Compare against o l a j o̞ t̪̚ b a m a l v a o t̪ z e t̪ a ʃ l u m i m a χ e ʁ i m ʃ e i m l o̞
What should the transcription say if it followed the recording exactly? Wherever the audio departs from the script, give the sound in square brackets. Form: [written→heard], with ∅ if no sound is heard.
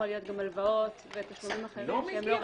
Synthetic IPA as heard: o l [a→i] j o̞ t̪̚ [b→ɡ] a m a l v a o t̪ [z→v] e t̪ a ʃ l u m i m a χ e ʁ i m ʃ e [i→e] m l o̞